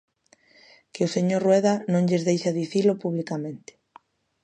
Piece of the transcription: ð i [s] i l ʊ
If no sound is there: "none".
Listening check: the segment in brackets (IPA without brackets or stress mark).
θ